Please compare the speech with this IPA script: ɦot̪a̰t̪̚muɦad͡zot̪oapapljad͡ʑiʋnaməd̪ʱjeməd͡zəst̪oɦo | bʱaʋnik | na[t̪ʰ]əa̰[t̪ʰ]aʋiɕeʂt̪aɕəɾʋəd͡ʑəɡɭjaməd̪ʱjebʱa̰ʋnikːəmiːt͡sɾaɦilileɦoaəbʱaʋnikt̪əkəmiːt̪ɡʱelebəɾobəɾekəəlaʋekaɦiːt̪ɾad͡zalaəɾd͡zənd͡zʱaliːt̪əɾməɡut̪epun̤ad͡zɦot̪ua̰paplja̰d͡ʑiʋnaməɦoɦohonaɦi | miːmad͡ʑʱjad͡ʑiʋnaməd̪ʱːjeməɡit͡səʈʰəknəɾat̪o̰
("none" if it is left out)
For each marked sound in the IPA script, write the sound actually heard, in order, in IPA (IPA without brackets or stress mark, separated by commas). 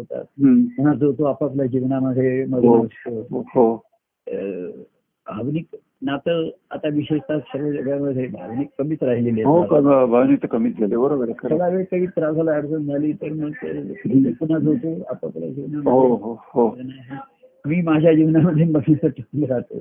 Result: t̪, t̪